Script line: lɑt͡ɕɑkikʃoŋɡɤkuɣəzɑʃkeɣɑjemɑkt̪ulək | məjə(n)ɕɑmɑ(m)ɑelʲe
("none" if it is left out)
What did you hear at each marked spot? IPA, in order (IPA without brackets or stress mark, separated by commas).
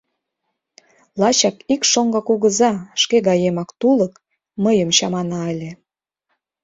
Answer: m, n